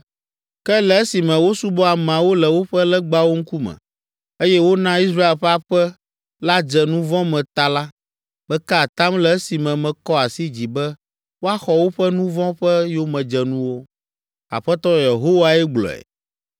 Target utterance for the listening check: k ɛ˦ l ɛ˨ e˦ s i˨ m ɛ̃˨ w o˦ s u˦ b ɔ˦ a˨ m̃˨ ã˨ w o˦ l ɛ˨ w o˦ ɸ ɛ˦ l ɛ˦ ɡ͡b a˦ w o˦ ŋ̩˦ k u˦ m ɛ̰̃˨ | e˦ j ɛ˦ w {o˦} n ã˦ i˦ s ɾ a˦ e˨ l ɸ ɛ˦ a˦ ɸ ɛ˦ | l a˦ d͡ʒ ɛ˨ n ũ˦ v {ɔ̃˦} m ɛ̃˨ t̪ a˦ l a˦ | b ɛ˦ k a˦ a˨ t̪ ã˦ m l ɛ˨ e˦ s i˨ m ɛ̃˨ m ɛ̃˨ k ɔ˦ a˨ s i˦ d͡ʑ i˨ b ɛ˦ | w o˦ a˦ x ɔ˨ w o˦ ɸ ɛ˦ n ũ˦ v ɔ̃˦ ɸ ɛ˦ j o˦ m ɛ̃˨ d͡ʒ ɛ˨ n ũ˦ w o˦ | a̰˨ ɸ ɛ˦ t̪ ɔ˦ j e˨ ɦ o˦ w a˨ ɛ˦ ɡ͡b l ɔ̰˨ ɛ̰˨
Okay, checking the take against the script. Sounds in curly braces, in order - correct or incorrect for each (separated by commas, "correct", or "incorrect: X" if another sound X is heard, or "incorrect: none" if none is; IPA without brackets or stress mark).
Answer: correct, correct